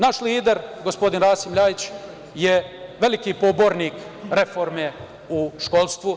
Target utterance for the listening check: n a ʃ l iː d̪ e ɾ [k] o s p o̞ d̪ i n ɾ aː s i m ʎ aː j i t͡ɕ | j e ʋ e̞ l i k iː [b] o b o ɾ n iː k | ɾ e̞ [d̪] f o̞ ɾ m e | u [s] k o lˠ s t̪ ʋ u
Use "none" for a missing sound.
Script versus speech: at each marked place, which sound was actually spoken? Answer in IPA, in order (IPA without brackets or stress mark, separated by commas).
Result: ɡ, p, none, ʃ